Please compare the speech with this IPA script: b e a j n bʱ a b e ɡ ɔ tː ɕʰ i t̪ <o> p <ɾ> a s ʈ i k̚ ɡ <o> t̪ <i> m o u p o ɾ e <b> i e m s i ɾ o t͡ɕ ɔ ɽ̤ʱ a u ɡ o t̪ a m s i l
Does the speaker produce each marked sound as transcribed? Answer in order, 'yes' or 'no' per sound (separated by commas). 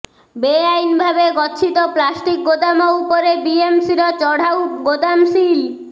yes, no, yes, no, yes